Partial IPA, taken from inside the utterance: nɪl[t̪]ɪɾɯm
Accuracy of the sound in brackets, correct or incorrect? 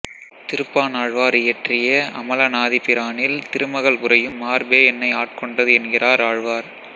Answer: correct